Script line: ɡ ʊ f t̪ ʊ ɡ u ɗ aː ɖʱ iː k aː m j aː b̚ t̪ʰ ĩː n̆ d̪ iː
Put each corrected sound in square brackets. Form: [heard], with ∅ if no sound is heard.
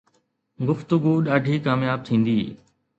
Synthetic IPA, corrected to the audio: ɡ ʊ f t̪ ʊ ɡ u ɗ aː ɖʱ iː k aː m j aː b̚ t̪ʰ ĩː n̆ d̪ iː